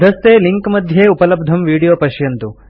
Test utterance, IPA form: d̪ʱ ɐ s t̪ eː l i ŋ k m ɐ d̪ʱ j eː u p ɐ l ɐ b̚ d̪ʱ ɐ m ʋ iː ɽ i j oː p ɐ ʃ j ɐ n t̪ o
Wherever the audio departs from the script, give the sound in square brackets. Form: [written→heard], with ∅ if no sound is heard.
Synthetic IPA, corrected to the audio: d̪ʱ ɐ s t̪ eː l i ŋ k m ɐ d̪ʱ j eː u p ɐ l ɐ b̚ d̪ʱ ɐ m ʋ iː ɽ i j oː p ɐ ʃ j ɐ n t̪ [o→u]

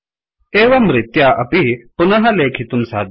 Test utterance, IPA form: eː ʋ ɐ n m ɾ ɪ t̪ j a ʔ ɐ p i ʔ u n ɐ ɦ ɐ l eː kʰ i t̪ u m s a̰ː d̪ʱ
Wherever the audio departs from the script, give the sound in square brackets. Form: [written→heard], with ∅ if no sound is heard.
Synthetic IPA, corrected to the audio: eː ʋ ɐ [n→∅] m ɾ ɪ t̪ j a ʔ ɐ p i [ʔ→p] u n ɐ ɦ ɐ l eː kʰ i t̪ u m s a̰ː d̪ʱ

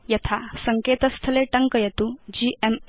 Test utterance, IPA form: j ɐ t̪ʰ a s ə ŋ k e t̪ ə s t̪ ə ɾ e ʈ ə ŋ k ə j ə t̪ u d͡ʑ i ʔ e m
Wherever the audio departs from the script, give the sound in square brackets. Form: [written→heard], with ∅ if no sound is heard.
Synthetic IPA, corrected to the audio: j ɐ t̪ʰ a s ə ŋ k e t̪ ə s [t̪→t̪ʰ] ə [ɾ→l] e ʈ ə ŋ k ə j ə t̪ u d͡ʑ i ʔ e m

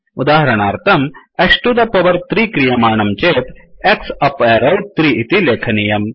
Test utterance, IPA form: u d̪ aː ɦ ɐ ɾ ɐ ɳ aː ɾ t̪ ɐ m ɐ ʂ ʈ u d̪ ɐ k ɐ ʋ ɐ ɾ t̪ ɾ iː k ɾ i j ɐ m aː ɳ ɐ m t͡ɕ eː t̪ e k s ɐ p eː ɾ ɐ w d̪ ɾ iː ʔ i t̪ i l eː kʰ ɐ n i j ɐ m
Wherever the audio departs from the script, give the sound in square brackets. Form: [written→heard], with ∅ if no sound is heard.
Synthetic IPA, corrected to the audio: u d̪ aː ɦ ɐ ɾ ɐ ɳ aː ɾ t̪ ɐ m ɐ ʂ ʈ u d̪ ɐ [k→p] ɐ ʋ ɐ ɾ t̪ ɾ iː k ɾ i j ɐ m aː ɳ ɐ m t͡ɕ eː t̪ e k s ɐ p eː ɾ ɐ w [d̪→t̪] ɾ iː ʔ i t̪ i l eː kʰ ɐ n i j ɐ m

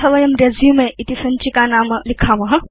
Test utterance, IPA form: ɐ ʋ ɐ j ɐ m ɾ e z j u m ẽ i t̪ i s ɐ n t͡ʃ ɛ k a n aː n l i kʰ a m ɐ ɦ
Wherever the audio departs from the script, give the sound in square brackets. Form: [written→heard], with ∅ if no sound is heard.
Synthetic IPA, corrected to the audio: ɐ ʋ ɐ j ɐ m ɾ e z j u m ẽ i t̪ i s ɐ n t͡ʃ [ɛ→i] k a n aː [n→m] l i kʰ a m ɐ ɦ

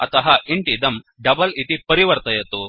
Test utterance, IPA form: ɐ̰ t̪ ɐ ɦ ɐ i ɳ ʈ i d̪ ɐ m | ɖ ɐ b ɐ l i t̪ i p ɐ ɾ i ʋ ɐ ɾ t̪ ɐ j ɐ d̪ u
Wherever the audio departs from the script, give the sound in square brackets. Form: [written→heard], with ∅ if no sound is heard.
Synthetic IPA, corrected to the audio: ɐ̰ t̪ ɐ ɦ ɐ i ɳ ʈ i d̪ ɐ m | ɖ ɐ b ɐ l i t̪ i p ɐ ɾ i ʋ ɐ ɾ t̪ ɐ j ɐ [d̪→t̪] u

